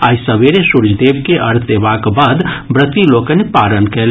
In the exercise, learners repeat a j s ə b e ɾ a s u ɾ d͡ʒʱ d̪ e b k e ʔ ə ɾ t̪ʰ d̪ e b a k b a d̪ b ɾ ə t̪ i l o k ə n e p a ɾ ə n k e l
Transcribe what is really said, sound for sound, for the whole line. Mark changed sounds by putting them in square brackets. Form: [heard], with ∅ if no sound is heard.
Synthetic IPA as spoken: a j s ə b e ɾ [e] s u ɾ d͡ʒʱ d̪ e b k e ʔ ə ɾ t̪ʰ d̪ e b a k b a d̪ b ɾ ə t̪ i l o k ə n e p a ɾ ə n k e l